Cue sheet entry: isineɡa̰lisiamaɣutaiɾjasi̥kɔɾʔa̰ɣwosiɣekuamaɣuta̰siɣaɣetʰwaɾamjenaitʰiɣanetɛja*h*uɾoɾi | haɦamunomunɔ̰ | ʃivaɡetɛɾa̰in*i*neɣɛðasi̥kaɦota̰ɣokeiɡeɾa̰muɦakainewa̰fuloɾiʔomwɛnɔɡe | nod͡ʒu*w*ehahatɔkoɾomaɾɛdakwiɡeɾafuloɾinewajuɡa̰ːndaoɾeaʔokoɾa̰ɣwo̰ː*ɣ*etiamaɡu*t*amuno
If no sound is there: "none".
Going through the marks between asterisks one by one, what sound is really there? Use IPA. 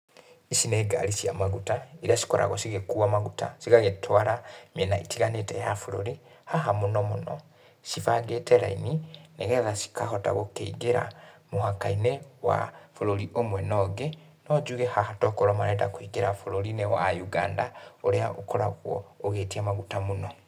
f, i, ɣ, ɣ, t

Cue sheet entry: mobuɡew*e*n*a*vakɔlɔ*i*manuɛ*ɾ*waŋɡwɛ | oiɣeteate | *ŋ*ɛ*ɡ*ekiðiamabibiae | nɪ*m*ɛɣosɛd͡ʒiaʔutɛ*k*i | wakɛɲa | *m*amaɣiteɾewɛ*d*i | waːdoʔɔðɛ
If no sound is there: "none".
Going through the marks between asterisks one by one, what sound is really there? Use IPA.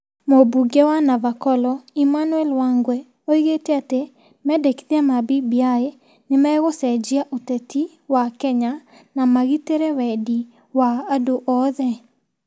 a, a, i, l, m, d, m, t, n, d

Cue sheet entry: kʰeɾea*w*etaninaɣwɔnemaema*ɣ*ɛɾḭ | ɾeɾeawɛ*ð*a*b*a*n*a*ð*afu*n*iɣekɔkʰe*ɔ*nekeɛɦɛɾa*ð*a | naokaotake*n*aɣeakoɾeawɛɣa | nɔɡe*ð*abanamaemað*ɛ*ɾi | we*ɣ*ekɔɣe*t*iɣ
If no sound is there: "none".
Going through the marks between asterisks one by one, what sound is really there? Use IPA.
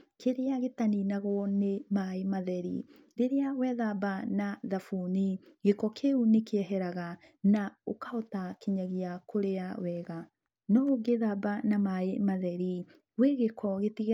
ɣ, ð, ð, b, n, ð, n, u, ɣ, ɲ, ð, ɛ, ɣ, t

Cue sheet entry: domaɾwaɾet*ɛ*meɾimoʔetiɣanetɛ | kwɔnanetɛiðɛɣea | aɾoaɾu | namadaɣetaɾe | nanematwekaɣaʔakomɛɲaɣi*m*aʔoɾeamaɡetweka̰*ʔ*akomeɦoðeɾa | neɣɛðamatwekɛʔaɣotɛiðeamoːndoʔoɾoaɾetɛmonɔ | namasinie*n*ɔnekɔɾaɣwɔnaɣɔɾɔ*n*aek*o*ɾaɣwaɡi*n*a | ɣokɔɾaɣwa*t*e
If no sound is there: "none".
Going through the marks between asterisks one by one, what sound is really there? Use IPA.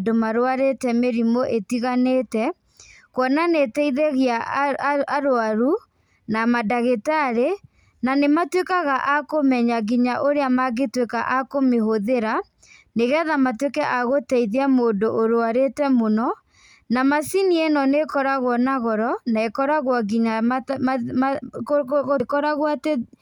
ɛ, ɲ, ʔ, n, n, ɔ, ɲ, t

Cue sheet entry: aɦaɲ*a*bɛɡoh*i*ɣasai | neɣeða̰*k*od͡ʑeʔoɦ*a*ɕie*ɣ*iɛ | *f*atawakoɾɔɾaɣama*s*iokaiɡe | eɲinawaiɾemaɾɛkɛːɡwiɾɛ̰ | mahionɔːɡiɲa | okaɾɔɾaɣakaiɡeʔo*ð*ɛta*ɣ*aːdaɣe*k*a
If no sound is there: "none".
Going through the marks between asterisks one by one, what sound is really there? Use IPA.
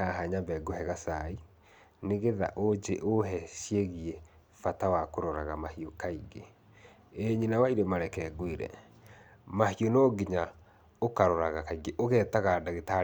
a, ɛ, ʔ, ɛ, ɣ, f, h, ɣ, ɣ, t

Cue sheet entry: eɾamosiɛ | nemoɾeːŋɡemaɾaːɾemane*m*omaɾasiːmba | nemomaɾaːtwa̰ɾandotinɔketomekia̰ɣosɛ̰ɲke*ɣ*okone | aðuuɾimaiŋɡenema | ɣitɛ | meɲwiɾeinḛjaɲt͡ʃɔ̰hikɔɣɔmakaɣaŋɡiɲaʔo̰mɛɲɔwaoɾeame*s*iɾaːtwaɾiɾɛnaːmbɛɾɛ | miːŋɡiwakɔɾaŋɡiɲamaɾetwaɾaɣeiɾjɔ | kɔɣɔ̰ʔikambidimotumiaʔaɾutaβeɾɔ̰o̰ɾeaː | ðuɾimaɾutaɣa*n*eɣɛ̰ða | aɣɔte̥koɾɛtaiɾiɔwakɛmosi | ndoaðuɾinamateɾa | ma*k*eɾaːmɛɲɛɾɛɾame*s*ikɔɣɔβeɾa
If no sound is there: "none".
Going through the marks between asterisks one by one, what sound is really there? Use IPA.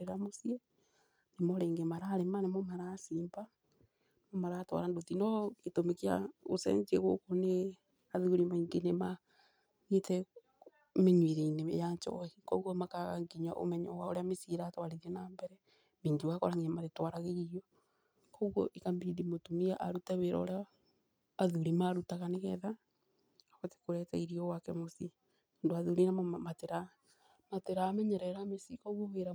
m, ɣ, s, n, t, s

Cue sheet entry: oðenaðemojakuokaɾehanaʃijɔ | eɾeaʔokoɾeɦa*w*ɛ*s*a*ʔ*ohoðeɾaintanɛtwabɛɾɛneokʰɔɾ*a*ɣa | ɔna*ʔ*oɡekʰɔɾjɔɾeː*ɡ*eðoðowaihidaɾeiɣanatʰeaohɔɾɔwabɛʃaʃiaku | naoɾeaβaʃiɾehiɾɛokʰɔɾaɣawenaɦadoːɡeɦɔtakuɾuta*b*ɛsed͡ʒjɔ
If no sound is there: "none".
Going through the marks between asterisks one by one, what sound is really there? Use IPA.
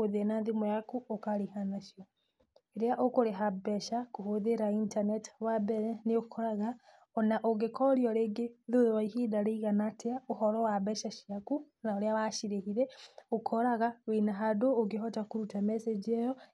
b, ʃ, k, a, ʔ, ɡ, m

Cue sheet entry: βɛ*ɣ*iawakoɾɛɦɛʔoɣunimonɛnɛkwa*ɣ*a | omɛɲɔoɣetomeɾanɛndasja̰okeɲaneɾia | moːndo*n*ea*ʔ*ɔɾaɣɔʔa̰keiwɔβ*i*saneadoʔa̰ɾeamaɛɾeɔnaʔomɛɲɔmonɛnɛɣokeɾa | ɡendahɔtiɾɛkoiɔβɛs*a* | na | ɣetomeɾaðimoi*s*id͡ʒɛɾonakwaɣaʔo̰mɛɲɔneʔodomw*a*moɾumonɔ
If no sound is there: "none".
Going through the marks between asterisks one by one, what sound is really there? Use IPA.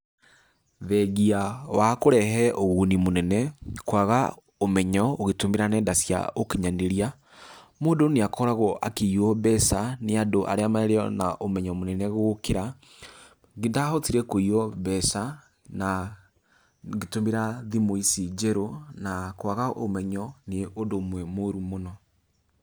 ɣ, ɣ, n, k, ɛ, a, s, ɛ

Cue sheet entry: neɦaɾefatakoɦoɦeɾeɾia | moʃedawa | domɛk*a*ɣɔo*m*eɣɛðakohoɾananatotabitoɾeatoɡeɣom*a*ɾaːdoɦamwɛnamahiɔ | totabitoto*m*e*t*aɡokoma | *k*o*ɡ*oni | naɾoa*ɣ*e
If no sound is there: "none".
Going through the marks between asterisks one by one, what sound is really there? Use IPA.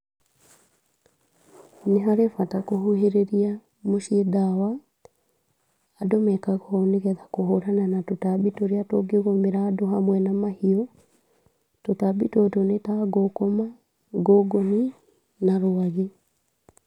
a, n, e, n, t, ɡ, ɡ, ɣ

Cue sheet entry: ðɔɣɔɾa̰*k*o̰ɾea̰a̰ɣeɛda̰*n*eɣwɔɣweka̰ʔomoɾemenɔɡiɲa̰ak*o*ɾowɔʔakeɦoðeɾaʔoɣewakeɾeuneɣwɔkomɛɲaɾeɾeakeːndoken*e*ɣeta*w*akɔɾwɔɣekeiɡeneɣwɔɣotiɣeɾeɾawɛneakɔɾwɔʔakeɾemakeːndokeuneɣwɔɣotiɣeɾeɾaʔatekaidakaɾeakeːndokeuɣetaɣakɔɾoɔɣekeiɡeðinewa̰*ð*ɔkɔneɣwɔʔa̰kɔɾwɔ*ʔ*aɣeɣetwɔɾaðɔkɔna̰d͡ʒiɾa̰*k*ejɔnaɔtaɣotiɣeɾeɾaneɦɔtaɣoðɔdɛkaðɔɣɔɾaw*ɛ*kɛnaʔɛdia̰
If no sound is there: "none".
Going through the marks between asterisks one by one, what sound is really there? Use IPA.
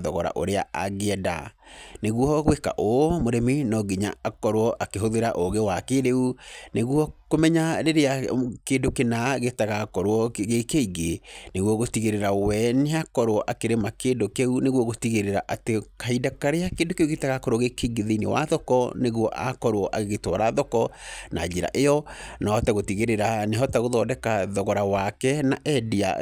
ʔ, n, ɔ, a, ɣ, ð, ʔ, ʔ, a

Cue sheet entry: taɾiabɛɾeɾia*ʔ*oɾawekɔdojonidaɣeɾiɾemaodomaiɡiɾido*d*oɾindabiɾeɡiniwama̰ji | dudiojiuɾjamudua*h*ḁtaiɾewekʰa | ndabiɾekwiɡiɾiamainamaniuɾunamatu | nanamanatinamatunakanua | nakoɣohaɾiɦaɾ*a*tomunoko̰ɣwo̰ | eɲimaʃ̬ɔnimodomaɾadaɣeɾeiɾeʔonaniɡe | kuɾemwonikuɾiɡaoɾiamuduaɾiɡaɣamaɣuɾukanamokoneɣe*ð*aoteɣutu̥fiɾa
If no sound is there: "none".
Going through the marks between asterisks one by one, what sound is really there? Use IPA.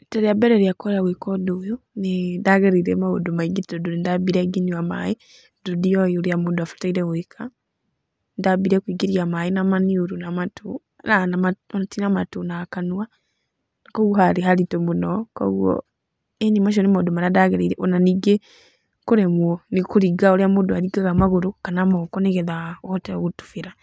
k, d, f, i, ð

